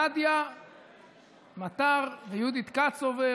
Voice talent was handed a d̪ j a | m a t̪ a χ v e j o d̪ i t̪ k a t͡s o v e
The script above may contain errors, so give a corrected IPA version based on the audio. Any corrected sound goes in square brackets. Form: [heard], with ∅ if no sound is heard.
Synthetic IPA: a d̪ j a | m a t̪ a [ʁ] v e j [u] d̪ i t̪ k a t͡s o v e